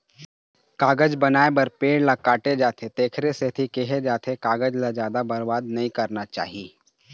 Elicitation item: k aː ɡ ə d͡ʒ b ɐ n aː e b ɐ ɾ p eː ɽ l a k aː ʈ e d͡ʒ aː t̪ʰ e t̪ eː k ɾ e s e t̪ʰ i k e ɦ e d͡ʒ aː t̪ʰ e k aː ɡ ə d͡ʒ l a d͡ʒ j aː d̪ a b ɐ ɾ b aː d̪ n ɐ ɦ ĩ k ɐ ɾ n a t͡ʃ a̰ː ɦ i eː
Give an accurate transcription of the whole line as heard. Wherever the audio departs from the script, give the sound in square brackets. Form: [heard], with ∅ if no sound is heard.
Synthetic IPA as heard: k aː ɡ ə d͡ʒ b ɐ n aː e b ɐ ɾ p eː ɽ l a k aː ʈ e d͡ʒ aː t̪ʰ e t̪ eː [kʰ] ɾ e s e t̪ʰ i k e ɦ e d͡ʒ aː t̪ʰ e k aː ɡ ə d͡ʒ l a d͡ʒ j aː d̪ a b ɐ ɾ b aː d̪ n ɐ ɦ ĩ k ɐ ɾ n a t͡ʃ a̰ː ɦ i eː